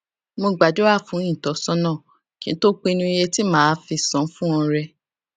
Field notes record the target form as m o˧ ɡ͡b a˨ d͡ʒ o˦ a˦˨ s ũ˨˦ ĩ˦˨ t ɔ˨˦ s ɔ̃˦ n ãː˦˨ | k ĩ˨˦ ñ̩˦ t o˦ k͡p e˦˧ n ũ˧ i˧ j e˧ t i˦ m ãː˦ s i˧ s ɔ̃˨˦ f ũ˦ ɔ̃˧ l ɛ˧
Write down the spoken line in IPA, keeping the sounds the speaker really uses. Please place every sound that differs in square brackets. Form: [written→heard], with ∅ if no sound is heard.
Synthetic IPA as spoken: m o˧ ɡ͡b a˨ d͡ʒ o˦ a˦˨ [s→f] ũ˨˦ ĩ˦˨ t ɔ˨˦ s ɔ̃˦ n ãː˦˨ | k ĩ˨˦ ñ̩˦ t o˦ k͡p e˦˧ n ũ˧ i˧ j e˧ t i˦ m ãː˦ [s→f] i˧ s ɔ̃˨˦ f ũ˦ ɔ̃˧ [l→ɾ] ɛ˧